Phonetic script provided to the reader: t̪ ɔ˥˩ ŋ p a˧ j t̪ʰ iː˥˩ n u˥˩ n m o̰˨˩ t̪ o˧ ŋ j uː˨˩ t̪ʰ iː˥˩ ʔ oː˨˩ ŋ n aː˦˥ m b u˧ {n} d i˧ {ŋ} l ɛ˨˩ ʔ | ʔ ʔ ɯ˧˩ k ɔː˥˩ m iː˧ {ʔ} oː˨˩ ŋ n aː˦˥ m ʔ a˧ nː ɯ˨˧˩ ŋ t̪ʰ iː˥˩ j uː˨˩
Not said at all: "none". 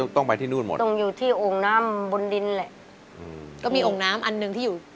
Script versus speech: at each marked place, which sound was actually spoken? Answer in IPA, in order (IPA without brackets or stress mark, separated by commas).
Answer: n, n, ʔ